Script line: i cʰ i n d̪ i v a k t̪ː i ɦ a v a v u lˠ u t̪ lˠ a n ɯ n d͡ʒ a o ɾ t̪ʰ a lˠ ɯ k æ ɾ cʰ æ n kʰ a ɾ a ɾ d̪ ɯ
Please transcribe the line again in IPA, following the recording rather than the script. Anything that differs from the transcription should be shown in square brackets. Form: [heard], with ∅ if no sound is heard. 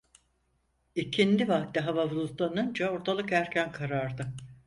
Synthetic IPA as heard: i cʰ i n d̪ i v a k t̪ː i ɦ a v a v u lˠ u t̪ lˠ a n ɯ n d͡ʒ a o ɾ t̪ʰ a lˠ ɯ k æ ɾ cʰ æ n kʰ a ɾ a ɾ d̪ ɯ